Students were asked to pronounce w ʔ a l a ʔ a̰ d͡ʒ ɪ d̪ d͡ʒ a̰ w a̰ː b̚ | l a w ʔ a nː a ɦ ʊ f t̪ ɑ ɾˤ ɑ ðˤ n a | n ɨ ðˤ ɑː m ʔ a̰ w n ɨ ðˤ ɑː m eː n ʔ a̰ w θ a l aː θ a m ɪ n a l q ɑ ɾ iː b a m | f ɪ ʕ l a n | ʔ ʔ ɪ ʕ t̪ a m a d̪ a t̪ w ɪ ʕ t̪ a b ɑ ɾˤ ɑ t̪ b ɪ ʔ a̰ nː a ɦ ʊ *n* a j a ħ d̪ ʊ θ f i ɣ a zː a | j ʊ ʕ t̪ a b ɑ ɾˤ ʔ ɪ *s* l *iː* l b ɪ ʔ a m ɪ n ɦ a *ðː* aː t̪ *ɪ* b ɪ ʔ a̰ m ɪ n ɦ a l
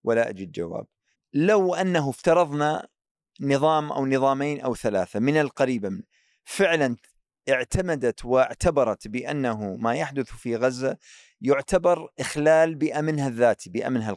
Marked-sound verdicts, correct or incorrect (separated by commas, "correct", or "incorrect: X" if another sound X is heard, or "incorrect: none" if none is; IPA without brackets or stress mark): incorrect: m, incorrect: x, incorrect: aː, correct, incorrect: i